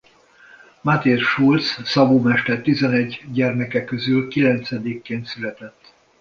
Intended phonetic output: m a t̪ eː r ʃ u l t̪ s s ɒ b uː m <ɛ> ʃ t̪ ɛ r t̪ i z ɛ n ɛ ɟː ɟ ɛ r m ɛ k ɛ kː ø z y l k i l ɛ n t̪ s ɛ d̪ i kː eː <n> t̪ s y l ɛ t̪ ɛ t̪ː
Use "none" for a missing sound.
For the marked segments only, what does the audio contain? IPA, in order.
ɛ, n

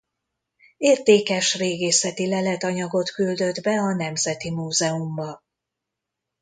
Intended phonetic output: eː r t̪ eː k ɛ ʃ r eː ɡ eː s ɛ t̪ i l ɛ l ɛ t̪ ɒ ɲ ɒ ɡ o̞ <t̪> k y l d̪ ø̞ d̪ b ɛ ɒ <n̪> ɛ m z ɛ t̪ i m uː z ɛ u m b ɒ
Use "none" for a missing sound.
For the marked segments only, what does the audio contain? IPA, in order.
t̪, n̪

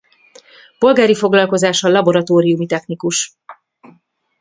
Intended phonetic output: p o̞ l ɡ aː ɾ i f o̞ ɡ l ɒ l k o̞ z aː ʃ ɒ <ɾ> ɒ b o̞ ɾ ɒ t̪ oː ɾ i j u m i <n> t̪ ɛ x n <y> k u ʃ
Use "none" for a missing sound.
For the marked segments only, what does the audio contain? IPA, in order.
l, none, i

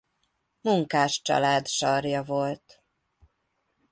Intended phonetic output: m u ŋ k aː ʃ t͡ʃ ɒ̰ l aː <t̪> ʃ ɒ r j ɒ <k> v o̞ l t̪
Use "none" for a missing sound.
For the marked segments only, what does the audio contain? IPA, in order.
d̪, none

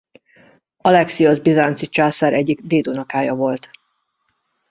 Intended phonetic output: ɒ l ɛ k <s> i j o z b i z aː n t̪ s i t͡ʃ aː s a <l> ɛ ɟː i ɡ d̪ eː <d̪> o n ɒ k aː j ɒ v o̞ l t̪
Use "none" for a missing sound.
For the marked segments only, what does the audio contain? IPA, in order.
s, ɾ, d̪

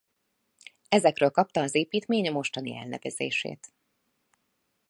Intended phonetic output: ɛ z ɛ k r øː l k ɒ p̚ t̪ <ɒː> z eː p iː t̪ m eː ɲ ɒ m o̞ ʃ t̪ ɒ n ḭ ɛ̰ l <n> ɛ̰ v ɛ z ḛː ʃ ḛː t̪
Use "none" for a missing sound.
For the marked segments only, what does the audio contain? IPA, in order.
ɒː, n

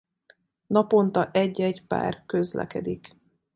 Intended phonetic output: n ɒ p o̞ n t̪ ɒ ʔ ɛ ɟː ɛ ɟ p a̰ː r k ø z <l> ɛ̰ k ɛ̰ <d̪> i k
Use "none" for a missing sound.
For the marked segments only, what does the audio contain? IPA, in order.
l, d̪

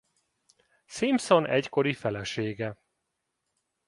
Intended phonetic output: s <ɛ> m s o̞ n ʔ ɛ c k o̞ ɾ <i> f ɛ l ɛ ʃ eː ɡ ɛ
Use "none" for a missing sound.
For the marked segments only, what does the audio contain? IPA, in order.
i, i

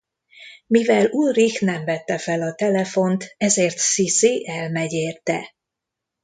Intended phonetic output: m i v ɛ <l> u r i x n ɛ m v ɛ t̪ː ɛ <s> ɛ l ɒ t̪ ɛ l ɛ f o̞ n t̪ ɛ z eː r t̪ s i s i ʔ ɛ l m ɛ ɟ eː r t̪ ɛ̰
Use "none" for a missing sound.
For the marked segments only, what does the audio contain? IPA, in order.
l, f

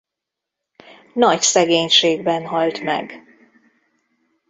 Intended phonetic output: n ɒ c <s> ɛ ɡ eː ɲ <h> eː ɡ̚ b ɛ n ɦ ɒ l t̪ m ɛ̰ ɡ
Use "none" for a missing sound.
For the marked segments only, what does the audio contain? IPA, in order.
s, ʃ

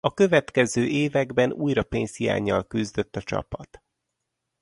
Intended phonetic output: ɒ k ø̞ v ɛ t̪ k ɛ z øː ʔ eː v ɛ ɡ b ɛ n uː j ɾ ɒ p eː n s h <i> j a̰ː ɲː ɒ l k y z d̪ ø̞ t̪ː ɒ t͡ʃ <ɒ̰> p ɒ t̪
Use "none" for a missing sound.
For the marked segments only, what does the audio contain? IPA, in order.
i, ɒ̰

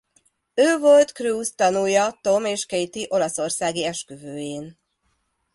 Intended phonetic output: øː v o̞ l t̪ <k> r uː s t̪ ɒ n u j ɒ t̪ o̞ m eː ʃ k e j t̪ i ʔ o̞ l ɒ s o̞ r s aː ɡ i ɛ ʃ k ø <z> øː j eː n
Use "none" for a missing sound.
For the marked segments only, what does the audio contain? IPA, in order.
k, v

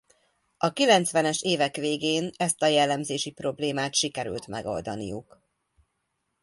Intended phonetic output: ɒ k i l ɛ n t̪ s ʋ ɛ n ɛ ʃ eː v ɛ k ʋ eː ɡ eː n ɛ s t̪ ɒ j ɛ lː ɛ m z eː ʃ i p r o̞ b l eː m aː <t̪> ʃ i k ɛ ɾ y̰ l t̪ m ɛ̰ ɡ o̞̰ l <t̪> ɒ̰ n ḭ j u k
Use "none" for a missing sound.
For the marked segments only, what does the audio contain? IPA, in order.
t̪, d̪

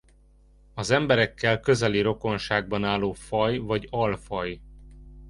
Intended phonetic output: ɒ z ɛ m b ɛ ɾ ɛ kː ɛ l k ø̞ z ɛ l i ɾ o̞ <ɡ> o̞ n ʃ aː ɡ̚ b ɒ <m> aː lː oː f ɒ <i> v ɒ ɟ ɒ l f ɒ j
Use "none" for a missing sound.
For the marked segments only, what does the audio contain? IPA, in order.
k, n, j

